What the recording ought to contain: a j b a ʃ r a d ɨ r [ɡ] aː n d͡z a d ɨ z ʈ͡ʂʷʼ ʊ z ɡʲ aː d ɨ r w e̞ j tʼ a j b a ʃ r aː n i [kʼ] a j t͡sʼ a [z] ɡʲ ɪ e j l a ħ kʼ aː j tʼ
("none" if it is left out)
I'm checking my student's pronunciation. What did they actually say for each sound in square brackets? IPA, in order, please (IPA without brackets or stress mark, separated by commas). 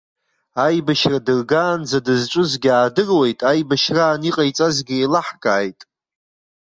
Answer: ɡ, qʼ, z